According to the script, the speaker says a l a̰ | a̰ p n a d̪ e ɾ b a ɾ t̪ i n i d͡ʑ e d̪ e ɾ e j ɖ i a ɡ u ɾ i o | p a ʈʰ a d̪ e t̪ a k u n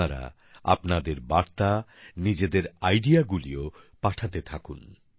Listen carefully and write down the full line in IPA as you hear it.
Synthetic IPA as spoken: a ɾ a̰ | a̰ p n a d̪ e ɾ b a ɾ t̪ a n i d͡ʑ e d̪ e ɾ a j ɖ i a ɡ u l i o | p a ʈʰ a t̪ e t̪ʰ a k u n